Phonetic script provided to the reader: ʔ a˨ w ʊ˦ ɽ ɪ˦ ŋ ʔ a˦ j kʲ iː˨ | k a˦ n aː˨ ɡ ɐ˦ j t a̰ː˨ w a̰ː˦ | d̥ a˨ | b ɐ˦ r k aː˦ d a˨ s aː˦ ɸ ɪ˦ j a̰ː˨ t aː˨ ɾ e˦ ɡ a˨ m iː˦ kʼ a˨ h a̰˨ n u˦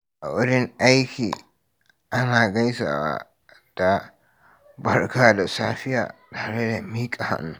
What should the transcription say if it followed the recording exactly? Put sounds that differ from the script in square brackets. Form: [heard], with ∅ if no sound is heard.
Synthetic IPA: ʔ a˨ w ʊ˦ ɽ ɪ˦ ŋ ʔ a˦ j kʲ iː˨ | [ʔ] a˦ n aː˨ ɡ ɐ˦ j [s] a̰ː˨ w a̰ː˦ | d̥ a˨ | b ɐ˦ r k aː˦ d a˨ s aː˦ ɸ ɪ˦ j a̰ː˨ t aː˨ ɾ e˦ [d] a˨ m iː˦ kʼ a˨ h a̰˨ n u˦